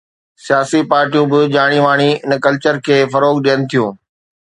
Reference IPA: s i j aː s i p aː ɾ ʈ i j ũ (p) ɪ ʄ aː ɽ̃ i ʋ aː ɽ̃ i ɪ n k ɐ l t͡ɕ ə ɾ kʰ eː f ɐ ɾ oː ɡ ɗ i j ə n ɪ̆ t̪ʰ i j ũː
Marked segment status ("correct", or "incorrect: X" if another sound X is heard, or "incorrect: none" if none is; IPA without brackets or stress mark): incorrect: b